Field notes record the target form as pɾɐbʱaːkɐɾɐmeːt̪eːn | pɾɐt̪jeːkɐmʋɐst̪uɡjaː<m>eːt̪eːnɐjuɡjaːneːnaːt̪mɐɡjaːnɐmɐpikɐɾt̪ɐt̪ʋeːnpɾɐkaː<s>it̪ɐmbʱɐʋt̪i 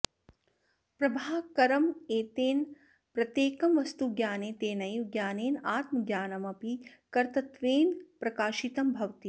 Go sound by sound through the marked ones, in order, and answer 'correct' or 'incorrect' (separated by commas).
incorrect, incorrect